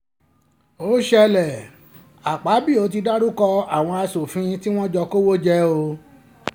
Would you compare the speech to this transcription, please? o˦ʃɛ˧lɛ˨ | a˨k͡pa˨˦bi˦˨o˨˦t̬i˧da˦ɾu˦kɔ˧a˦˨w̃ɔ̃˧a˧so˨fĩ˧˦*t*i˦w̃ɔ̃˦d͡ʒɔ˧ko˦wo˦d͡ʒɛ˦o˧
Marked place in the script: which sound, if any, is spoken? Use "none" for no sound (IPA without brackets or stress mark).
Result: t